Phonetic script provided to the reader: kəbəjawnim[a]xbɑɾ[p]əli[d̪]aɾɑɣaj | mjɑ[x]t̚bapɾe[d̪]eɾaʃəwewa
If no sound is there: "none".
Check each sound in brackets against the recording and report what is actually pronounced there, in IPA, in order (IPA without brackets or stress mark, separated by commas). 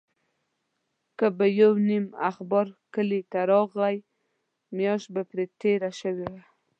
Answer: a, k, t̪, ʃ, t̪